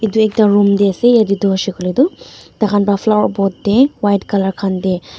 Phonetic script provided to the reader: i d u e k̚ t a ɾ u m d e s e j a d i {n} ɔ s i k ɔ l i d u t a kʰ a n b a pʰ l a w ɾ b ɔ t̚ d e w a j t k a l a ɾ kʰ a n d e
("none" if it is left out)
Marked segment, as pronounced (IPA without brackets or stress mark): d